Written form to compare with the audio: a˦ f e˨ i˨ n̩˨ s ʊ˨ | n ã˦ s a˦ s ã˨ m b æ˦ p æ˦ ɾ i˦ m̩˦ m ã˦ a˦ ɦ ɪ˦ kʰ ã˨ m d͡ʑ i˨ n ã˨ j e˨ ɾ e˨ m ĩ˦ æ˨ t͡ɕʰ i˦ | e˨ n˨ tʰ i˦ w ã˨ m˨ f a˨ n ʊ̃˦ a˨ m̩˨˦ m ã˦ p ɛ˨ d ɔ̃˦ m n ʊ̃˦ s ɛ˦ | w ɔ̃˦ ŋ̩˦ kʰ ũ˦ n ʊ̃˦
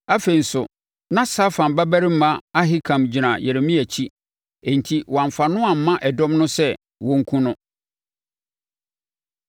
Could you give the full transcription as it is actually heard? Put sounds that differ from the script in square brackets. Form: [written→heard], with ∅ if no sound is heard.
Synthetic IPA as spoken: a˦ f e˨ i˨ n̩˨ s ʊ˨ | n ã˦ s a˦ [s→f] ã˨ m b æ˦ [p→b] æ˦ ɾ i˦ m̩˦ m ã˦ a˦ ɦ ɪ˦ kʰ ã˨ m d͡ʑ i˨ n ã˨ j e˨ ɾ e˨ m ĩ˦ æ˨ t͡ɕʰ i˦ | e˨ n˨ tʰ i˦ w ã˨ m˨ f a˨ n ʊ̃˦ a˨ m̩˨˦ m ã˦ [p→ʔ] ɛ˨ d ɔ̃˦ m n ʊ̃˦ s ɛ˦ | w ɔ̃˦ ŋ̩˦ kʰ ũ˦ n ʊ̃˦